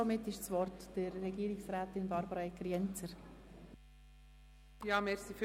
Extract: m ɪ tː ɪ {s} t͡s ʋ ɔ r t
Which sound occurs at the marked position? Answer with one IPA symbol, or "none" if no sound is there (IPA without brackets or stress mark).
ʃ